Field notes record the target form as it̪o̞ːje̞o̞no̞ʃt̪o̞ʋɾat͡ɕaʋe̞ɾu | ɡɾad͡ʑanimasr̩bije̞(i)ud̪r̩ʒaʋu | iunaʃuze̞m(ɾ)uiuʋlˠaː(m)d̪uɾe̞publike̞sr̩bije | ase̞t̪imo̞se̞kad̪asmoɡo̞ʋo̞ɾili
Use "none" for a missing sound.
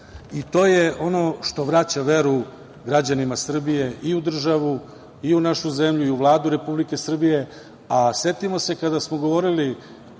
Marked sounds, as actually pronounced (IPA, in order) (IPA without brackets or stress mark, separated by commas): i, ʎ, none